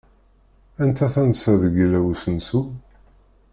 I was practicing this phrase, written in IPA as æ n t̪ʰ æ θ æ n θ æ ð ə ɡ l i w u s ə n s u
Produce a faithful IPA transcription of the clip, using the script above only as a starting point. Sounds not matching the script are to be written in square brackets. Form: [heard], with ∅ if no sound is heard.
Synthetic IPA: æ n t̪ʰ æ θ æ n [s] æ ð ə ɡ l [æ] w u s ə n s u

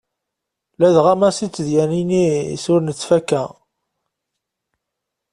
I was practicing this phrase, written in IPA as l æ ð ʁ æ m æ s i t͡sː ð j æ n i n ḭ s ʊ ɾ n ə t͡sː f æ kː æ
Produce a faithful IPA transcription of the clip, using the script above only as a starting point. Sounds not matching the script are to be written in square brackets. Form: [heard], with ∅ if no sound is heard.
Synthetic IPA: l æ ð ʁ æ m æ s i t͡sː ð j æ n i n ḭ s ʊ ɾ n ə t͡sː f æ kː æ

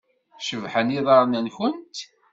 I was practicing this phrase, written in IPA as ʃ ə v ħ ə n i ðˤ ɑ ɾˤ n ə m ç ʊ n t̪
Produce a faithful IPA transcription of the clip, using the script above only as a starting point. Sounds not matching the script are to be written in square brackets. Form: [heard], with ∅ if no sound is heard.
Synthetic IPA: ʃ ə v ħ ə n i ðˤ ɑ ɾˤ n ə [n] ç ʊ n t̪

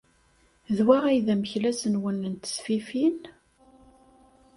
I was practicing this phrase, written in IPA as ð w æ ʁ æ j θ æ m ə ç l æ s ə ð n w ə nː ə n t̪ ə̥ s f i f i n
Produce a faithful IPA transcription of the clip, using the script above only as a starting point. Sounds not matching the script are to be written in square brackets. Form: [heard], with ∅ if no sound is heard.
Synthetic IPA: ð w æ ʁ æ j [ð] æ m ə ç l æ s ə [∅] n w ə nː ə n t̪ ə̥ s f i f i n

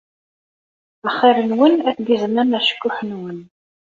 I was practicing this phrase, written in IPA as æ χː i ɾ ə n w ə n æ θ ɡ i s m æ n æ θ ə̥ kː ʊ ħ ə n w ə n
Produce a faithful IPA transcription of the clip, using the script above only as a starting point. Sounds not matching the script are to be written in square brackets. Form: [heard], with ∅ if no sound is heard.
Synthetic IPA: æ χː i ɾ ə n w ə n æ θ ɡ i [z] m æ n æ [ʃ] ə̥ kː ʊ ħ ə n w ə n

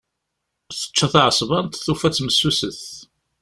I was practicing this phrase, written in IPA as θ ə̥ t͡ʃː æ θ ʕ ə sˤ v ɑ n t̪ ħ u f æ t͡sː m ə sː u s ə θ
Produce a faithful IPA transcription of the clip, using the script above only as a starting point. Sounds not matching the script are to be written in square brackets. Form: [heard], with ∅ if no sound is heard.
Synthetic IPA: θ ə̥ t͡ʃː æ θ ʕ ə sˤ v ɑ n t̪ [θ] u f æ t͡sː m ə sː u s ə θ

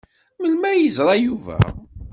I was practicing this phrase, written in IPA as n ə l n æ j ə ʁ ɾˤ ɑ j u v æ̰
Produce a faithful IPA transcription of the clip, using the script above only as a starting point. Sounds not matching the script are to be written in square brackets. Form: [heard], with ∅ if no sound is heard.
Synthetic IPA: [m] ə l [m] æ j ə [z] ɾˤ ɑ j u v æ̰

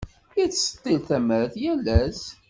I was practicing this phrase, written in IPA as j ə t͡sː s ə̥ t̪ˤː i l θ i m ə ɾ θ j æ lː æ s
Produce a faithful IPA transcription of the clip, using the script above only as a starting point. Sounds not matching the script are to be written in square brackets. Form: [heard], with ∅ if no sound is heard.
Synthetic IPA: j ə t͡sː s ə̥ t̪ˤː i l θ [æ] m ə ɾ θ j æ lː æ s

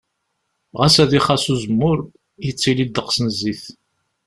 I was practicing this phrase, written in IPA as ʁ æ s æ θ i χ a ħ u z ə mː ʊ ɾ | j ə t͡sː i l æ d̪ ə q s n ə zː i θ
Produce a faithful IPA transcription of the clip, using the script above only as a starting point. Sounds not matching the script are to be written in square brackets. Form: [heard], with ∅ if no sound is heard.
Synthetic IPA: ʁ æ s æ [ð] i χ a [s] u z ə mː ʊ ɾ | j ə t͡sː i l [i] d̪ ə q s n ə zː i θ

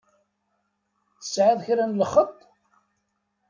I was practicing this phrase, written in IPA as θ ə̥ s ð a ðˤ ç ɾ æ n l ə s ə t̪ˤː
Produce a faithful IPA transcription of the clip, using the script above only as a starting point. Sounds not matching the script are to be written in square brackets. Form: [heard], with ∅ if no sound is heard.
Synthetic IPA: θ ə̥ s [ʕ] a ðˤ ç ɾ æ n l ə [χ] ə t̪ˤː

